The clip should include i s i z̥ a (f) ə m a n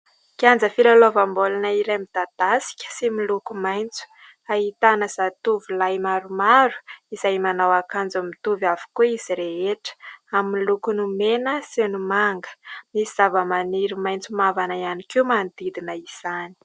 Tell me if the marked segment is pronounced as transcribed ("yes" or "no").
no